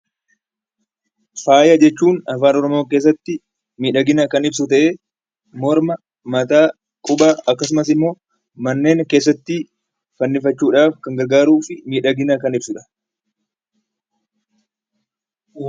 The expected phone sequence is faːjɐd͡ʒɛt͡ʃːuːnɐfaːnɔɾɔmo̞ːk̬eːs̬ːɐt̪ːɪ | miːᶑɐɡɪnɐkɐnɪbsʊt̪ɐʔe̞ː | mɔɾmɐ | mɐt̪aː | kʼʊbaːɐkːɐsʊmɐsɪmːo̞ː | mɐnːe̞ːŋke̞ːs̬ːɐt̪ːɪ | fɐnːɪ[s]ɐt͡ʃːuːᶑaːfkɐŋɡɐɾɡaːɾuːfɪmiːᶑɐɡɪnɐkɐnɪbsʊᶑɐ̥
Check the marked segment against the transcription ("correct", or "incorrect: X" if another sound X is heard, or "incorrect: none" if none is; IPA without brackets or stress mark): incorrect: f